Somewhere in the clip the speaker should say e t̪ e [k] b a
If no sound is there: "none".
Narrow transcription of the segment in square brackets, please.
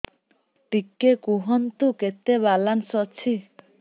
none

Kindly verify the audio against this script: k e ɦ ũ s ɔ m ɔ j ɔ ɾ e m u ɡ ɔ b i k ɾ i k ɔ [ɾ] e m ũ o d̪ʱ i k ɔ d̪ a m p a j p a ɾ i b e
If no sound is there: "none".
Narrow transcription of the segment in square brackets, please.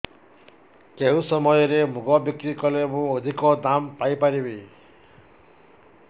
l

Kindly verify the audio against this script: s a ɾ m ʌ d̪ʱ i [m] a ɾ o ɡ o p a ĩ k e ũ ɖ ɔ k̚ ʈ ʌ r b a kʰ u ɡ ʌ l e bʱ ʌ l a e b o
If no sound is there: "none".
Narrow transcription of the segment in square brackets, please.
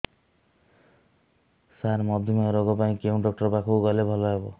m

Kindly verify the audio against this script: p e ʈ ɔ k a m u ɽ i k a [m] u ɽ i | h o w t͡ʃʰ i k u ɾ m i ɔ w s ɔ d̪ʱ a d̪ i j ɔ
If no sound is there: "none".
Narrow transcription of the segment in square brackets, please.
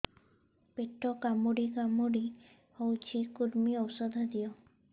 m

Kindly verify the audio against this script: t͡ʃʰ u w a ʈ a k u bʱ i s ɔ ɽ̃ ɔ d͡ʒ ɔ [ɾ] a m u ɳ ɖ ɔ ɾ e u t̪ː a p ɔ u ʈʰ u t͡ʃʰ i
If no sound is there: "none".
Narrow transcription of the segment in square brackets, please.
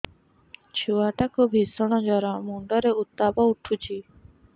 ɾ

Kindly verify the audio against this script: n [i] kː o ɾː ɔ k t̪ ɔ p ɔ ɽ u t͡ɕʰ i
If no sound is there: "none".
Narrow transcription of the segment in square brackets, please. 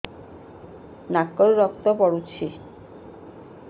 a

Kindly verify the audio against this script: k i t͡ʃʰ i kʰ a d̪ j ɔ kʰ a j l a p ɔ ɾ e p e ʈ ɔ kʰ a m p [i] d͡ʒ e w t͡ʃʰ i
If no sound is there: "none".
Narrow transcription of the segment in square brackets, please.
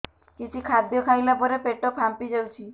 i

